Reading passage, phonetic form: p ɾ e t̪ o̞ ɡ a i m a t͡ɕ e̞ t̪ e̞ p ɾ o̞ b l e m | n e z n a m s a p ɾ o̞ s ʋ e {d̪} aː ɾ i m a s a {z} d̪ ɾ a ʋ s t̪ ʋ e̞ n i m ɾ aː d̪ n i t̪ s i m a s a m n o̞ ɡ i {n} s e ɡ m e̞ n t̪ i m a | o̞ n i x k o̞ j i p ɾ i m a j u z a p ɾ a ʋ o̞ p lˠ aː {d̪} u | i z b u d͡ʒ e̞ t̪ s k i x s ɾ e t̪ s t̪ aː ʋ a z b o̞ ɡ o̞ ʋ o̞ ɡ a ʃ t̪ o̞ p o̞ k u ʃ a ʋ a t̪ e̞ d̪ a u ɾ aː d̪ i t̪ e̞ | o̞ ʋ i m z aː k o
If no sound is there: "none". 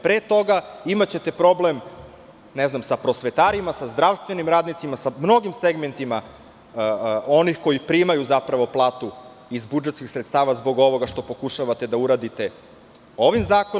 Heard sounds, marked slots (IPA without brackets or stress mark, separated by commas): t̪, z, m, t̪